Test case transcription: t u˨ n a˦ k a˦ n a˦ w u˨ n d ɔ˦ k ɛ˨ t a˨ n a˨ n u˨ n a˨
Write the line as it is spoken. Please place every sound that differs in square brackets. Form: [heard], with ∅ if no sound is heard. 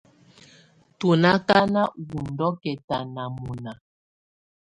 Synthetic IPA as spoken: t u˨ n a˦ k a˦ n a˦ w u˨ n d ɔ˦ k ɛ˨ t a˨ n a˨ [m] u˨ n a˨